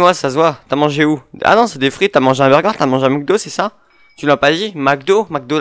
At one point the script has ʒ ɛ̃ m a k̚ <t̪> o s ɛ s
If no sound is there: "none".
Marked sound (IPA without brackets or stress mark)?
d̪